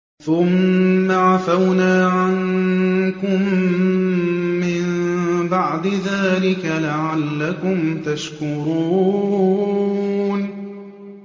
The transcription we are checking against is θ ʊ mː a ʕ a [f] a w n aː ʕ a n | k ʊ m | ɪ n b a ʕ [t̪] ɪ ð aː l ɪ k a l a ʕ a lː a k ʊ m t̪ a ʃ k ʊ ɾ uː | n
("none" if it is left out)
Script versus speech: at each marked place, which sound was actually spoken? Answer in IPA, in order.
f, d̪

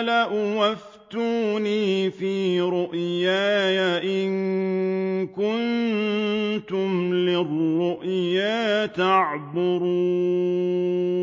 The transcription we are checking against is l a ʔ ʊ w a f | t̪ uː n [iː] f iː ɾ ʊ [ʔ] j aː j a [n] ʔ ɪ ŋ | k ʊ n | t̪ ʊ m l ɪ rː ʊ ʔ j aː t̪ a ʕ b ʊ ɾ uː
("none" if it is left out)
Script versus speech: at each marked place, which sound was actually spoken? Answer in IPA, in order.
iː, ʔ, none

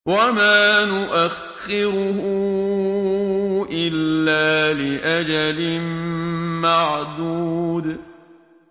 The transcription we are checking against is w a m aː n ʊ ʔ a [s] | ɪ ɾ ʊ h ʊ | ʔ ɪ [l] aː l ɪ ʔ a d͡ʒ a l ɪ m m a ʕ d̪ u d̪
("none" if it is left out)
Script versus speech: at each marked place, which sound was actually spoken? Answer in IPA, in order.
x, lː

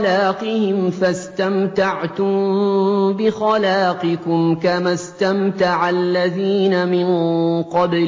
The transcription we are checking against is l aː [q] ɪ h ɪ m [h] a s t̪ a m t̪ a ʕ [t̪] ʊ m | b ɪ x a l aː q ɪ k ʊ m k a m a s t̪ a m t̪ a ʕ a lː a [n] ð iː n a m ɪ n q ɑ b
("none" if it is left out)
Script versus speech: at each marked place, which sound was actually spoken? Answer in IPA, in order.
q, f, t̪, none

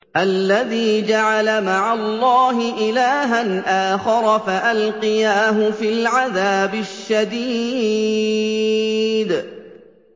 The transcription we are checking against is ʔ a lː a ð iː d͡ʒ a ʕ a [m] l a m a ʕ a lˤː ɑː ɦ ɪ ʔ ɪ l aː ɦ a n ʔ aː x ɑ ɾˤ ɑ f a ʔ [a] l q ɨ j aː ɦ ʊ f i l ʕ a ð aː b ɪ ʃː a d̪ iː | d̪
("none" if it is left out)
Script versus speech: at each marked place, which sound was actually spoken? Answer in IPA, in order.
none, a

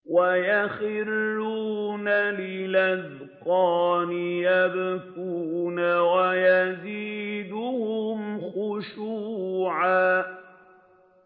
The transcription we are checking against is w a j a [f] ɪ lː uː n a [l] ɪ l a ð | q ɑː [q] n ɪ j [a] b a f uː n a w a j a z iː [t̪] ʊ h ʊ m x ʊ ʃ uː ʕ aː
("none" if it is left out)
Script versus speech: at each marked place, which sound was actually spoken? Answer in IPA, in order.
x, l, none, a, d̪

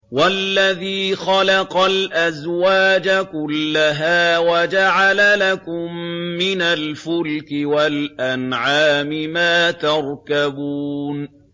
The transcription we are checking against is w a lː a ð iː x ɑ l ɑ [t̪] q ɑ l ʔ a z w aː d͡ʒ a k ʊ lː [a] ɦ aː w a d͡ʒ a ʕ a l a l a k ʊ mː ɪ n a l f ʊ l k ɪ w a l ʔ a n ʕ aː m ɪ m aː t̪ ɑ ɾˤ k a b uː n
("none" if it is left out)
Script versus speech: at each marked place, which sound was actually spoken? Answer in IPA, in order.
none, a

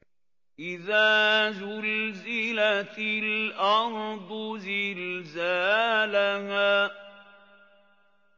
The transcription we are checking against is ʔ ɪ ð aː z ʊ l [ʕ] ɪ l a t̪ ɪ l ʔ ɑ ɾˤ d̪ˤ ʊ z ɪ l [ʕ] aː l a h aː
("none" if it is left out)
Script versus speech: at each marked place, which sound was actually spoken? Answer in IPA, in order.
z, z

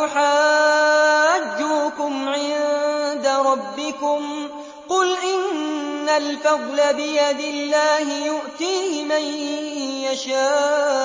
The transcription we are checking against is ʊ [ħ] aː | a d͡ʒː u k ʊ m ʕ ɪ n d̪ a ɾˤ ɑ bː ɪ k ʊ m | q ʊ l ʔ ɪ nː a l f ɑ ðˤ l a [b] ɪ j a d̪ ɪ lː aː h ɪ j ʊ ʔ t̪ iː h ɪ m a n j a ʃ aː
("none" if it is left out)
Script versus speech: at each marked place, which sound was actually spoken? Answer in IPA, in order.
ħ, b

